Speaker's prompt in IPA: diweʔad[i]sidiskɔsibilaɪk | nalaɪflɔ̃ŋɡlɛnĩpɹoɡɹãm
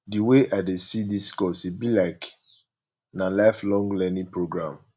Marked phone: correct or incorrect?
incorrect